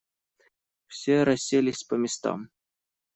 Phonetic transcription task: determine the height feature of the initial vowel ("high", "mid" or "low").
mid